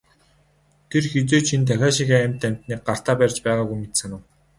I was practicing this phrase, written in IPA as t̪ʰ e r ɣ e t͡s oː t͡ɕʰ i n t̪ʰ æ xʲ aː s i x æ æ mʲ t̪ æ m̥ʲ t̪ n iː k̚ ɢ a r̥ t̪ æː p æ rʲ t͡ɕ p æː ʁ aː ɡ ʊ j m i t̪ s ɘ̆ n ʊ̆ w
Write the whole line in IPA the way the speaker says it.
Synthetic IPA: t̪ʰ e r x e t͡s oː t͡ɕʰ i n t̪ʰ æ xʲ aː ʃ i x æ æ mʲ t̪ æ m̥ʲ t̪ n iː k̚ ɢ a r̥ t̪ aː p æ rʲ t͡ɕ p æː ʁ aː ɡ u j m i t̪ s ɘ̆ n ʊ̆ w